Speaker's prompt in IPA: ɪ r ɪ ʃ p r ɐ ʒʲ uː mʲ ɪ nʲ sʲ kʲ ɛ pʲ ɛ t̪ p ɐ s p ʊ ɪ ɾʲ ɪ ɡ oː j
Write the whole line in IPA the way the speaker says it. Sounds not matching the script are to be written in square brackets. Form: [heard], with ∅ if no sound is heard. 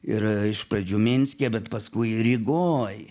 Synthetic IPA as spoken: ɪ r ɪ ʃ p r ɐ [d͡ʒʲ] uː mʲ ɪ nʲ sʲ kʲ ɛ [bʲ] ɛ t̪ p ɐ s [k] ʊ ɪ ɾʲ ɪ ɡ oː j